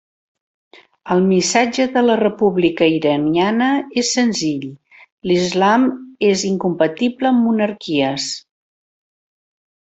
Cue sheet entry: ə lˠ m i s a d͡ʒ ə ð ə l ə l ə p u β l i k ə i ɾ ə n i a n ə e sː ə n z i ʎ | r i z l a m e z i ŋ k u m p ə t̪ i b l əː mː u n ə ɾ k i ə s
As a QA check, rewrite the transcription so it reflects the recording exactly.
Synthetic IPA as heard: ə lˠ m i s a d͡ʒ ə ð ə l ə r ə p u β l i k ə i ɾ ə n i a n ə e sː ə n z i ʎ | l i z l a m e z i ŋ k u m p ə t̪ i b l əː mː u n ə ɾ k i ə s